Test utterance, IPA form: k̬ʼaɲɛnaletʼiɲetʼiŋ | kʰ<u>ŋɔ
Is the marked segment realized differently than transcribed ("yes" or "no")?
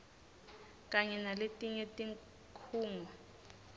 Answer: yes